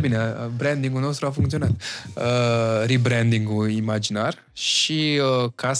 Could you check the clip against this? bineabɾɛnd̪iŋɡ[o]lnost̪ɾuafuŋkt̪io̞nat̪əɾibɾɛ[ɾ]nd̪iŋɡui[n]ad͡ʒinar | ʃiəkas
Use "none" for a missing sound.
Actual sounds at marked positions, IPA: u, none, m

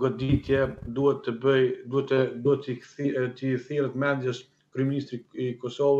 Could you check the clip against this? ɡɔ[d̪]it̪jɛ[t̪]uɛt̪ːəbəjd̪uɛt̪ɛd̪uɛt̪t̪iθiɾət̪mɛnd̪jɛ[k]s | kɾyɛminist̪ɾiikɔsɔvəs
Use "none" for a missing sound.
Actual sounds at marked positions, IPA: d̪, d̪, none

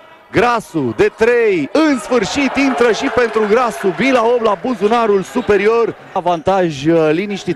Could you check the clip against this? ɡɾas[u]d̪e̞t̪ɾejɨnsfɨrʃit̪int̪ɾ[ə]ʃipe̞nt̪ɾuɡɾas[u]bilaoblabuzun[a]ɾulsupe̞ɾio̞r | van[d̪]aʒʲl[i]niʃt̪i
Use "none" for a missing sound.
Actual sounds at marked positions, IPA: u, ə, u, a, t̪, i

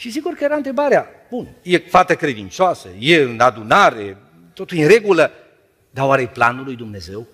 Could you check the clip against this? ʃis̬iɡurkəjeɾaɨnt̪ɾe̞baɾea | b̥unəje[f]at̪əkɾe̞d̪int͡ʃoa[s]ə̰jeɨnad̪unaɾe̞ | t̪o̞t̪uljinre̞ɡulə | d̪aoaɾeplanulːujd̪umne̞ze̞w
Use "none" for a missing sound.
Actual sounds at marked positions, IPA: f, s

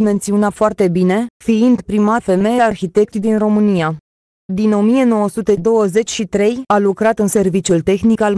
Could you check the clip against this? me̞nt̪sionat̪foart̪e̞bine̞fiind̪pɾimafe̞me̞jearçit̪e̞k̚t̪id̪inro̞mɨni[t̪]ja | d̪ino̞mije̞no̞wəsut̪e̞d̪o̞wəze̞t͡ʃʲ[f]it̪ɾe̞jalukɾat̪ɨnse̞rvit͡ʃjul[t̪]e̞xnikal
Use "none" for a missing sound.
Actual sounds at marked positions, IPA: none, ʃ, t̪

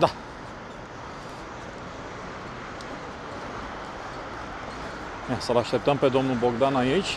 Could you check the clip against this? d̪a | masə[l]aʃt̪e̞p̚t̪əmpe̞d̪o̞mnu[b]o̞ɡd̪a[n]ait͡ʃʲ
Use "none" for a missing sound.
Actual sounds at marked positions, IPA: l, b, n

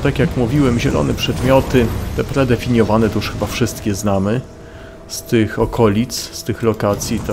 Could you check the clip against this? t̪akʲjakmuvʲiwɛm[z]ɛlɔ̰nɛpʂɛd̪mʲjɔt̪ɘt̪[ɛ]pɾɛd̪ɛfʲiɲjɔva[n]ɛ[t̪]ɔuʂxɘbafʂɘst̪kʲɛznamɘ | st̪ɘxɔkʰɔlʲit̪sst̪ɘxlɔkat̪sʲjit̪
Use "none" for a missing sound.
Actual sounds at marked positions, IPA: ʑ, ɛ, n, t̪

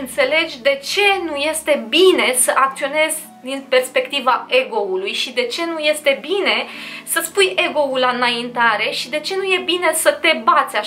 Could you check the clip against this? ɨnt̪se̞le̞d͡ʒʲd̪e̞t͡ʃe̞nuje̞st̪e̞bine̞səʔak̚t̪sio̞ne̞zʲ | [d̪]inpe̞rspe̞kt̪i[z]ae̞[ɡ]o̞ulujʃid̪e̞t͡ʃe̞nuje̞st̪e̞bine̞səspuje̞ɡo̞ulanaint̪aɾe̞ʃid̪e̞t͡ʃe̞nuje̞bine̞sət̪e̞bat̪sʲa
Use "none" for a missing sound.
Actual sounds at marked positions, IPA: d̪, v, ɡ

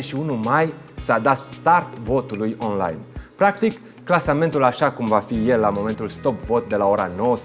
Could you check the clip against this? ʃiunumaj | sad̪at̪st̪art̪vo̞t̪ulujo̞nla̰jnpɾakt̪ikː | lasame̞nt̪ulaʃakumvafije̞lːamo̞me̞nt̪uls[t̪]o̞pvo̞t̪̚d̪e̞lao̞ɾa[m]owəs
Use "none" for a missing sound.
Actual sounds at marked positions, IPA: t̪, n

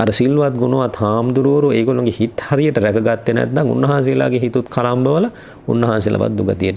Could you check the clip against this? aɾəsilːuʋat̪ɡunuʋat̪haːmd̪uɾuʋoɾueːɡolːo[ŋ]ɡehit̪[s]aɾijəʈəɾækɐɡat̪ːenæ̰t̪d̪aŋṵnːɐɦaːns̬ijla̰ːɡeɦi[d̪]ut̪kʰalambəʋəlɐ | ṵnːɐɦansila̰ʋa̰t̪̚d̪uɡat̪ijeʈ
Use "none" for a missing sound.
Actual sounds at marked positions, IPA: ŋ, h, t̪

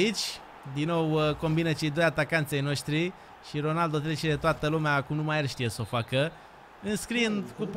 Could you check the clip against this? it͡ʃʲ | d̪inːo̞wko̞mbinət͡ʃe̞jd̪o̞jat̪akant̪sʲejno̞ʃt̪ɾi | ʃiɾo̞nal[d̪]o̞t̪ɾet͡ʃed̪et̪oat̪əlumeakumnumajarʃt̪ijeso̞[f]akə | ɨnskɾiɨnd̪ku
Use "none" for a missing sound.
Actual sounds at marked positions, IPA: d̪, f

